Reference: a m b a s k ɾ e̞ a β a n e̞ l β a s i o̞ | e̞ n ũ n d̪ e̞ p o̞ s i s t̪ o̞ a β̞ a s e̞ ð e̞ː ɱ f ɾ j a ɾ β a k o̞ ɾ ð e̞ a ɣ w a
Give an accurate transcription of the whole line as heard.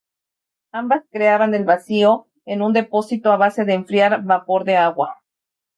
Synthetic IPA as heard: a m b a s k ɾ e̞ a β a n e̞ l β a s i o̞ | e̞ n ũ n d̪ e̞ p o̞ s i t̪ o̞ a β̞ a s e̞ ð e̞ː ɱ f ɾ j a ɾ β a p o̞ ɾ ð e̞ a ɣ w a